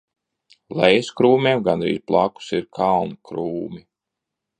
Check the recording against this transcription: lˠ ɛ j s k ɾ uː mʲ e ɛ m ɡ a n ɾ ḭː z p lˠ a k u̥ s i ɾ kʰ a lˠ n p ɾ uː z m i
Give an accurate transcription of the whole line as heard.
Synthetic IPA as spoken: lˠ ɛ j s k ɾ uː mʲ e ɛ m ɡ a n ɾ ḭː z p lˠ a k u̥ s i ɾ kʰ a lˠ n k ɾ uː m i